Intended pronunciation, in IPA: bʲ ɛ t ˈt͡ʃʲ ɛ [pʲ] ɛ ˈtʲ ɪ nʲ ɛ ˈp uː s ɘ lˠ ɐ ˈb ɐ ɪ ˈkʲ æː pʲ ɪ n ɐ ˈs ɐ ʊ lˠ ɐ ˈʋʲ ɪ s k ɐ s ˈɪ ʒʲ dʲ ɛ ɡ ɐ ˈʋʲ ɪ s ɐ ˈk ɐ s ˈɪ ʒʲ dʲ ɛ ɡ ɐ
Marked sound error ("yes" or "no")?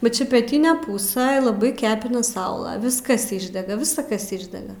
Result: no